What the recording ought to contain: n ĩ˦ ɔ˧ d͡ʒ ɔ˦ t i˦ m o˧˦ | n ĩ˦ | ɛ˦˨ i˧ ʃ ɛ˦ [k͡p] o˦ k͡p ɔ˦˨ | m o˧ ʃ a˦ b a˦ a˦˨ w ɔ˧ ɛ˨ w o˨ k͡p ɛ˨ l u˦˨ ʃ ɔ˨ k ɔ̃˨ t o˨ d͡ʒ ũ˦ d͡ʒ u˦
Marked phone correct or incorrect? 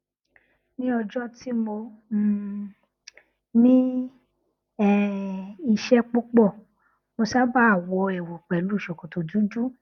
correct